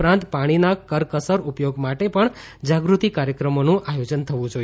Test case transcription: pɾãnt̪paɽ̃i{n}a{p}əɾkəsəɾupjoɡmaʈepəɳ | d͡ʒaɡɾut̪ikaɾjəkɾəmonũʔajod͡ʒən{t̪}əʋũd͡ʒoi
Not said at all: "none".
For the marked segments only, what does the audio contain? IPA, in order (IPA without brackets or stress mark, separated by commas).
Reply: n, k, t̪ʰ